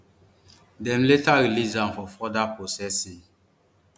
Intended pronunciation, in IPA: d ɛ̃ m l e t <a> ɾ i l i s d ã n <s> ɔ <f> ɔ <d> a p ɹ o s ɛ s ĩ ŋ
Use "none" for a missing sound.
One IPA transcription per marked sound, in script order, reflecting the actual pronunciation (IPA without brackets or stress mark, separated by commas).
a, f, f, d